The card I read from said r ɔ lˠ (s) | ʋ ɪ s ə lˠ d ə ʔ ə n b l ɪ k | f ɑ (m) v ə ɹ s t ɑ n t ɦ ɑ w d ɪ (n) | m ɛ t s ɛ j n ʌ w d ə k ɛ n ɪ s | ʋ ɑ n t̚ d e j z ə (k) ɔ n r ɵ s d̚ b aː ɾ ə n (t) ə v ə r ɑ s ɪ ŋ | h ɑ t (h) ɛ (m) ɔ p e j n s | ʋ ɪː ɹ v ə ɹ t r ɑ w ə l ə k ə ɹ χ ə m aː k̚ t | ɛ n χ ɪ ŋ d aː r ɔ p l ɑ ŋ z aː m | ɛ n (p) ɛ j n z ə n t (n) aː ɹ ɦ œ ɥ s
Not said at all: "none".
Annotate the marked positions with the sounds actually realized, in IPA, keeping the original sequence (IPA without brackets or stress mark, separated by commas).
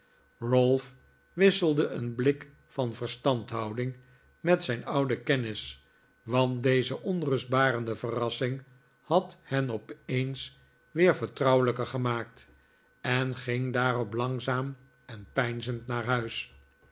f, n, ŋ, ʔ, d, h, n, p, n